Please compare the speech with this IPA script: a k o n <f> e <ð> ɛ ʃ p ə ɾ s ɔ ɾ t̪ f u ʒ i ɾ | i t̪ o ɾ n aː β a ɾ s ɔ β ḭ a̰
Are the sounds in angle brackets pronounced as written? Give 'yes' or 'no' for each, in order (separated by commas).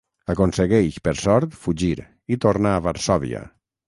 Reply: no, no